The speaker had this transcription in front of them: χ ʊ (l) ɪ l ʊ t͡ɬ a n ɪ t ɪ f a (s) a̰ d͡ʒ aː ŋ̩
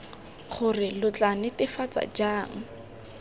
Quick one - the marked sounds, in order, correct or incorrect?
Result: incorrect, incorrect

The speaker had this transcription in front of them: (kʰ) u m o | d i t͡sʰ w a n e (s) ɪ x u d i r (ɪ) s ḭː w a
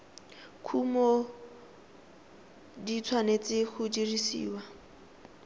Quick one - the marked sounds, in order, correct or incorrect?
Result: correct, incorrect, incorrect

